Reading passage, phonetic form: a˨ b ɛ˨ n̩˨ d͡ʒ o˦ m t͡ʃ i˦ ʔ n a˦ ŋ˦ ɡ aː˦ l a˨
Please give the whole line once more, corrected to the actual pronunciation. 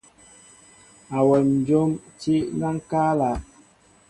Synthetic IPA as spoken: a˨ w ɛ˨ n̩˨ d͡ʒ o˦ m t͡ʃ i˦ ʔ n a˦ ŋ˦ k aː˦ l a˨